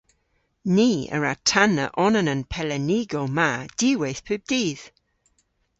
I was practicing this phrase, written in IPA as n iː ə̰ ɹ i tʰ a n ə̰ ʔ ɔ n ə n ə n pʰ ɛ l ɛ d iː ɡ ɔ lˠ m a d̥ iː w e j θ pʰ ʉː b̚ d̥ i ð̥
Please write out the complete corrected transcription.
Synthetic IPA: n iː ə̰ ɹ a tʰ a n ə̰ ʔ ɔ n ə n ə n pʰ ɛ l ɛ n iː ɡ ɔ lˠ m a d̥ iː w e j θ pʰ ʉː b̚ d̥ iː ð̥